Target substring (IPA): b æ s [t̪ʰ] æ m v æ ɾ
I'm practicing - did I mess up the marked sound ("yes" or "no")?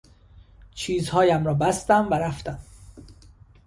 yes